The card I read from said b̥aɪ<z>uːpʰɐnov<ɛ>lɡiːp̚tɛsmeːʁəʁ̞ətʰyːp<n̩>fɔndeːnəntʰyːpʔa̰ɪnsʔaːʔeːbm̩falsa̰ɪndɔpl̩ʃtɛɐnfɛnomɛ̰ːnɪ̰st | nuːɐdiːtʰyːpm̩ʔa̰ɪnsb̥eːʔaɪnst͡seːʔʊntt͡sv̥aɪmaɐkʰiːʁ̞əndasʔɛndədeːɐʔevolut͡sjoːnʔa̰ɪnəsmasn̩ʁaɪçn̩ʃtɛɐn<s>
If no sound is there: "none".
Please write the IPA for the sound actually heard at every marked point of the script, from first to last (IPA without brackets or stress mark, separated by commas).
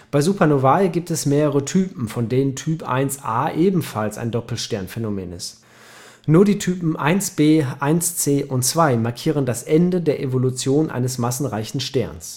z, a, m̩, s